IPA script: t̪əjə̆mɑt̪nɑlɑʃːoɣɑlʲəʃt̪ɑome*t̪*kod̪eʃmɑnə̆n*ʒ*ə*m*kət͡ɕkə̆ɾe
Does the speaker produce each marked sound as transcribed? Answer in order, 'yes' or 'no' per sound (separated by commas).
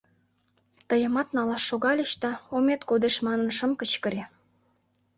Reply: yes, no, yes